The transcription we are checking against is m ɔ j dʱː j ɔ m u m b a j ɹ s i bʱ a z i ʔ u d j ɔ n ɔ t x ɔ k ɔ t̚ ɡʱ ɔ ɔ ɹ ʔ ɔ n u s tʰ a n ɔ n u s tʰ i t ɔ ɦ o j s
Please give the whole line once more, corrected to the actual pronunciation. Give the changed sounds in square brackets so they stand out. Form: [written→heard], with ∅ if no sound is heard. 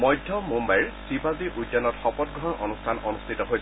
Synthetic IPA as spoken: m ɔ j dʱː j ɔ m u m b a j ɹ s i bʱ a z i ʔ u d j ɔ n ɔ t x ɔ [k→p] ɔ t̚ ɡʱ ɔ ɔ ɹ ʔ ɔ n u s tʰ a n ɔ n u s tʰ i t ɔ ɦ o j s